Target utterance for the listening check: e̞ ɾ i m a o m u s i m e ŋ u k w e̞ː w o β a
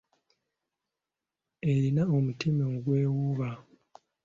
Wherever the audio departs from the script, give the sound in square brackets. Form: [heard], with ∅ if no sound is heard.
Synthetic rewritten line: e̞ ɾ i [n] a o m u [t] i m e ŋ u [ɡ] w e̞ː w [u] β a